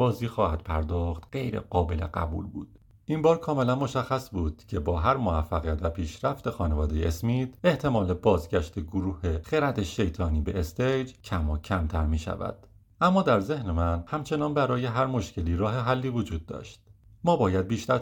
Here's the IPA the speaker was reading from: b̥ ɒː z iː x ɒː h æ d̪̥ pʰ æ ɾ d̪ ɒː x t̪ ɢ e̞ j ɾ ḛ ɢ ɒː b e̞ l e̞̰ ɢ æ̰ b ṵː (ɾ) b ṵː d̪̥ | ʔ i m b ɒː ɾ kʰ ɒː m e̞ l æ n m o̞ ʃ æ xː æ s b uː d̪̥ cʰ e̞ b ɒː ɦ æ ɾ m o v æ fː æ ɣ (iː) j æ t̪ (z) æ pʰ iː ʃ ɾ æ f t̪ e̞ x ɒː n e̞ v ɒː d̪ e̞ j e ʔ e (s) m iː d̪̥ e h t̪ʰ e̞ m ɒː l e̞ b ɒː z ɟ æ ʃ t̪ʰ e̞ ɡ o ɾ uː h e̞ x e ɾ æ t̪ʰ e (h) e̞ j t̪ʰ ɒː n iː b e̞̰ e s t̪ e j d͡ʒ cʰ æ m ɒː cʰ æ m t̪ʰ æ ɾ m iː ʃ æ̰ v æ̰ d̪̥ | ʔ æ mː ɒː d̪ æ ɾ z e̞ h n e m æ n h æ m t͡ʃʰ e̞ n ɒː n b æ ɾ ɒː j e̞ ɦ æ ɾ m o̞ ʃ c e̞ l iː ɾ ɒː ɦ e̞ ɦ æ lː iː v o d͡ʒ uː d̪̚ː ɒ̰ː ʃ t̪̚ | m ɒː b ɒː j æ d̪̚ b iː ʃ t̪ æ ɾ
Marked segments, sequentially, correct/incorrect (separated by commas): incorrect, incorrect, incorrect, correct, incorrect